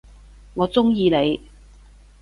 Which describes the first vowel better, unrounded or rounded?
rounded